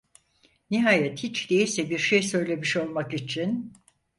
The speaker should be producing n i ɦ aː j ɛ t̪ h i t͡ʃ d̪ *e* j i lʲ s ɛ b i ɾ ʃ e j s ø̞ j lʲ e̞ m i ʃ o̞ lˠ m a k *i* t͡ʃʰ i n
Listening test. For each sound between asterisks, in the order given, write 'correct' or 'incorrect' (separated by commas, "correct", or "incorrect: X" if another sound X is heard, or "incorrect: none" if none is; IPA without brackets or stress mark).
correct, correct